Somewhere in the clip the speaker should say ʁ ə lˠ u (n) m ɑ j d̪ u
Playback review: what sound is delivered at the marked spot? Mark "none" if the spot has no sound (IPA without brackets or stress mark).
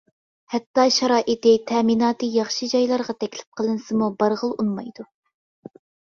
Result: n